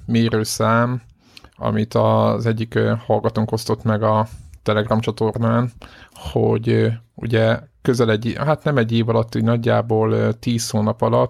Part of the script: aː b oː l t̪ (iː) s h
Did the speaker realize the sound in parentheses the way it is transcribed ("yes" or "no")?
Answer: yes